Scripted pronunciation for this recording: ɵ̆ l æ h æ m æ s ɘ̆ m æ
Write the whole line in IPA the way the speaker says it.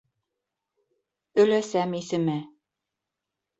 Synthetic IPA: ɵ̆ l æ s æ m i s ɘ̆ m æ

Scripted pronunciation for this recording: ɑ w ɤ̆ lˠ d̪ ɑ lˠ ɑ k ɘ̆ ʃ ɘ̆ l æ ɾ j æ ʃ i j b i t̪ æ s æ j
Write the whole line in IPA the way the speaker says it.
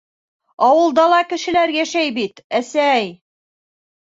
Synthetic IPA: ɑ w ɤ̆ lˠ d̪ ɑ lˠ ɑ k ɘ̆ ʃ ɘ̆ l æ ɾ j æ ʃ æ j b i t̪ æ s æ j

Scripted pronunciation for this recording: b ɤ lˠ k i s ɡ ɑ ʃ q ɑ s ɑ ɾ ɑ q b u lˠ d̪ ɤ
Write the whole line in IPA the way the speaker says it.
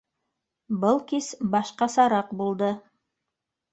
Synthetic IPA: b ɤ lˠ k i s b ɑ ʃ q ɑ s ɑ ɾ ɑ q b u lˠ d̪ ɤ

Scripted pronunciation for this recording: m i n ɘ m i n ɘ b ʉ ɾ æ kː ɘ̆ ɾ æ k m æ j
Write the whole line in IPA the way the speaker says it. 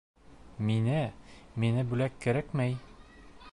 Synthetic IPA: m i n ɘ m i n ɘ b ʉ l æ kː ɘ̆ ɾ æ k m æ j

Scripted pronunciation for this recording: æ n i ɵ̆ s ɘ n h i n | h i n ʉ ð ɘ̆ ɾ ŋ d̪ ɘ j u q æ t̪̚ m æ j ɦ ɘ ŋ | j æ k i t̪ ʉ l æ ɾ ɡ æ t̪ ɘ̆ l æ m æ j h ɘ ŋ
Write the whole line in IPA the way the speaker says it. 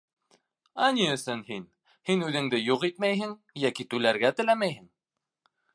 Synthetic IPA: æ n i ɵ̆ s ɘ n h i n | h i n ʉ ð ɘ̆ ŋ d̪ ɘ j u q i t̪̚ m æ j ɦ ɘ ŋ | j æ k i t̪ ʉ l æ ɾ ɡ æ t̪ ɘ̆ l æ m æ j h ɘ ŋ

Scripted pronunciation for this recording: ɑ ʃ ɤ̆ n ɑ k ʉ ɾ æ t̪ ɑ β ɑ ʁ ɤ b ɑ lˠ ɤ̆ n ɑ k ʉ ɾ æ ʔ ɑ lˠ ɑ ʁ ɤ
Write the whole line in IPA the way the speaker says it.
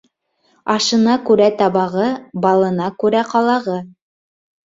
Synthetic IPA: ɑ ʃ ɤ̆ n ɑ k ʉ ɾ æ t̪ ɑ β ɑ ʁ ɤ b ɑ lˠ ɤ̆ n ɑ k ʉ ɾ æ q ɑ lˠ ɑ ʁ ɤ

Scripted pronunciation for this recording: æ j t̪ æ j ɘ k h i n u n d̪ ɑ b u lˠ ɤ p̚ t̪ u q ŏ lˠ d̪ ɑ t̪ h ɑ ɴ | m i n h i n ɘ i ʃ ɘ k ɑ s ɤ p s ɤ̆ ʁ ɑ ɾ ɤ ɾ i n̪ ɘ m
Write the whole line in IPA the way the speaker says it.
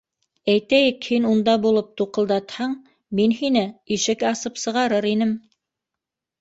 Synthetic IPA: æ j t̪ æ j ɘ k h i n u n d̪ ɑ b u lˠ ɤ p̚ t̪ u q ɤ̆ lˠ d̪ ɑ t̪ h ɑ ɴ | m i n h i n ɘ i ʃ ɘ k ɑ s ɤ p s ɤ̆ ʁ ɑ ɾ ɤ ɾ i n̪ ɘ m

